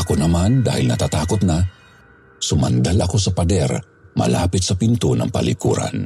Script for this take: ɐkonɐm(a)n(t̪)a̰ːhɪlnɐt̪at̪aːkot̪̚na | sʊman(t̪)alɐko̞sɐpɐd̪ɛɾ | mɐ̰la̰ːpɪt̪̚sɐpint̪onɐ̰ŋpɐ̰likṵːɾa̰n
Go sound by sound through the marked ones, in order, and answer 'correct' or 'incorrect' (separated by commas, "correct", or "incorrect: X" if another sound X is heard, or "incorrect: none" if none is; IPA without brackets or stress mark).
correct, incorrect: d̪, incorrect: d̪